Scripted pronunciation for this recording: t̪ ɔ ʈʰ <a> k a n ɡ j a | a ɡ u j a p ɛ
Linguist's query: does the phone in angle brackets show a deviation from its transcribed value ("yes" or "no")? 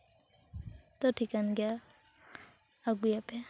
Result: yes